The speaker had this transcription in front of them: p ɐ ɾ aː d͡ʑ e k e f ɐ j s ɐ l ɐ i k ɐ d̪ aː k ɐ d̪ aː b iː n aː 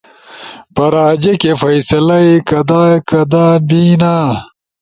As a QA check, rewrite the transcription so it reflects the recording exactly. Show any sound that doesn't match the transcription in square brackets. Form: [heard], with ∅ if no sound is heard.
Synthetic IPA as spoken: p ɐ ɾ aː d͡ʑ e k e f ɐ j s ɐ l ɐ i k ɐ d̪ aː k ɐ d̪ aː b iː n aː